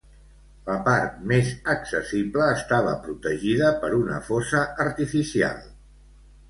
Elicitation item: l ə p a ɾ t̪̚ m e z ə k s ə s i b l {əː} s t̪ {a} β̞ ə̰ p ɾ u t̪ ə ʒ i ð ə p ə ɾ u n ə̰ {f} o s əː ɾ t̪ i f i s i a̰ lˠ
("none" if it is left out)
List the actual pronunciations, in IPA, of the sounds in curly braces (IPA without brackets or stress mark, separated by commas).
əː, a, f